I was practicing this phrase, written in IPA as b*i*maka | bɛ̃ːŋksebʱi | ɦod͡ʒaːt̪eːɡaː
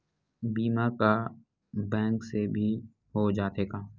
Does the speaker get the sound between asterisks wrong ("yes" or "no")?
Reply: yes